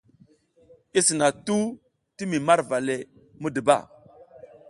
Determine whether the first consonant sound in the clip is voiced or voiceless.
voiceless